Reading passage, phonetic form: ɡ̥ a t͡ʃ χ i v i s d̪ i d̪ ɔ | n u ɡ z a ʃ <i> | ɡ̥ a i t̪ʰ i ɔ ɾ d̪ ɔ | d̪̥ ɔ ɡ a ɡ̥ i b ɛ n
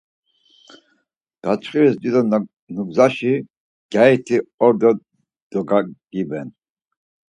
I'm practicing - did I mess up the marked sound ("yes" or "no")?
no